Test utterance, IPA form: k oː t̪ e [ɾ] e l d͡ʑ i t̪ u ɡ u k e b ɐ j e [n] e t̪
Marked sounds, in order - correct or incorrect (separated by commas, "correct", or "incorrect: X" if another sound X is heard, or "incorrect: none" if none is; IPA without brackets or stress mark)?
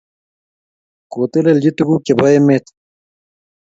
incorrect: l, incorrect: m